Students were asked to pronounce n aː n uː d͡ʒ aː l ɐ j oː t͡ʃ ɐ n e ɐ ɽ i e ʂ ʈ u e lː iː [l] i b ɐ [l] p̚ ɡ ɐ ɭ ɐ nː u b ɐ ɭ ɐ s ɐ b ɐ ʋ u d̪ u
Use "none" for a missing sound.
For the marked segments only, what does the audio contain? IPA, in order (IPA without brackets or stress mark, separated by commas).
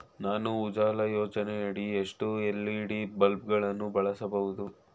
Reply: ɽ, l